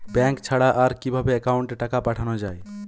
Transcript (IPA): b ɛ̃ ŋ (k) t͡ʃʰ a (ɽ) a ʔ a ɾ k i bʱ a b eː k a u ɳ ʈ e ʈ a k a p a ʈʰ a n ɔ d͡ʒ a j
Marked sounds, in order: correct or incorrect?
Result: correct, correct

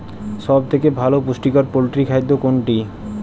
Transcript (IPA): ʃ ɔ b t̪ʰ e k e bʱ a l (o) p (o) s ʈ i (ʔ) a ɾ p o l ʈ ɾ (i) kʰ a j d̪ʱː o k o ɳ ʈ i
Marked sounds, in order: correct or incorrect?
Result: correct, incorrect: u, incorrect: k, correct

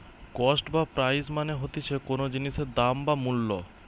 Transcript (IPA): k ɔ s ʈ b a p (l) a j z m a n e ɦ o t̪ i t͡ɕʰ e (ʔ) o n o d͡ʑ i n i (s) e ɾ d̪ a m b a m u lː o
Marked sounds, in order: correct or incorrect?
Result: incorrect: ɾ, incorrect: k, incorrect: ʃ

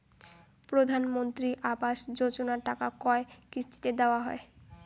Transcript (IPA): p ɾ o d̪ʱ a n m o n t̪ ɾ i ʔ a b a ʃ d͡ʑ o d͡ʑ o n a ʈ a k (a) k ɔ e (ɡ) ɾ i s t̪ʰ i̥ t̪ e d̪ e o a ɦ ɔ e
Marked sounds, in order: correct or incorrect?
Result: correct, incorrect: k

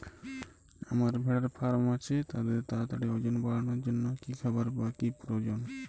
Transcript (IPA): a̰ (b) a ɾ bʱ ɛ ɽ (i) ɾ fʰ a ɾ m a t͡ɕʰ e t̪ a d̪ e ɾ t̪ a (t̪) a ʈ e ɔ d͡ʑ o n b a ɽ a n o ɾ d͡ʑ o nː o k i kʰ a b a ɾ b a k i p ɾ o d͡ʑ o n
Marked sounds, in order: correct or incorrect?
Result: incorrect: m, incorrect: a, correct

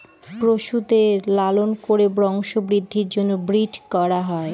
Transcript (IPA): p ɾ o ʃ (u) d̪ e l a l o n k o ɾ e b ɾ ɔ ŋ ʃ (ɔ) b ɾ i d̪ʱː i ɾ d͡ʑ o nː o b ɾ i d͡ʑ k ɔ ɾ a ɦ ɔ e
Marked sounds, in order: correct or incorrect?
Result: correct, incorrect: o

